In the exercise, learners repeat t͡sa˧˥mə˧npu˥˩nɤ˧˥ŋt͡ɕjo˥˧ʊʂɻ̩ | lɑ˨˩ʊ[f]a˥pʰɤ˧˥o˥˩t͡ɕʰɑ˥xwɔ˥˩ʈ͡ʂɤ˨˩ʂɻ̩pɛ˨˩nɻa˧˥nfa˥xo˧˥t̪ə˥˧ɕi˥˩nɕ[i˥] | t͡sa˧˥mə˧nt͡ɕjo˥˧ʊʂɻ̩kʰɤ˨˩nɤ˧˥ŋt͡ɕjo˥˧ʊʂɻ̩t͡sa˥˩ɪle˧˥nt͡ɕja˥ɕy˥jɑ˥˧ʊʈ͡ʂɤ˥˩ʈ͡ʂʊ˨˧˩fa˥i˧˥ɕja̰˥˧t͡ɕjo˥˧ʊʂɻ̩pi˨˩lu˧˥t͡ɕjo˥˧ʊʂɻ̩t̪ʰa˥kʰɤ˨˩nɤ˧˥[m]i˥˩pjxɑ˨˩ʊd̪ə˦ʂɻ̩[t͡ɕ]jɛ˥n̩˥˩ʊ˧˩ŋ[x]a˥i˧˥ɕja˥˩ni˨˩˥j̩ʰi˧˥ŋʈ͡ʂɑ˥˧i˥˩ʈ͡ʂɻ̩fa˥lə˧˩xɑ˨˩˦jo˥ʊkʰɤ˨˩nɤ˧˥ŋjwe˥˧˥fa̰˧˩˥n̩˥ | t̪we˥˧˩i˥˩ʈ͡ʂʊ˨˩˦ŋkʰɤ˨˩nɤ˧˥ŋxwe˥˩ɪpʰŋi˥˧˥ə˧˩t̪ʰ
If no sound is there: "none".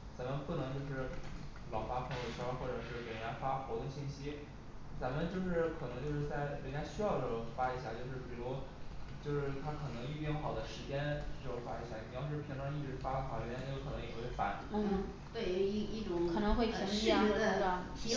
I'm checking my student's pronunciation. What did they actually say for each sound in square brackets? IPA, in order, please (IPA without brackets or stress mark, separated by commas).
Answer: f, i˥, ŋ, t͡ɕ, f